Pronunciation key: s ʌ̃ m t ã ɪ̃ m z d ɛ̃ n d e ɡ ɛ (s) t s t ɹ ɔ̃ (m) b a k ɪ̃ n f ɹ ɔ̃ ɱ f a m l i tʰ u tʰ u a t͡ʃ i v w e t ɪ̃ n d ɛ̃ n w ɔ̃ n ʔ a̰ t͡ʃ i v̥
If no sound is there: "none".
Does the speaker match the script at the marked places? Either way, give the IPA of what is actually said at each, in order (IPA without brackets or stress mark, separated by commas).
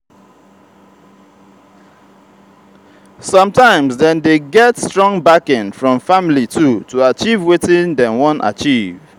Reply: none, ŋ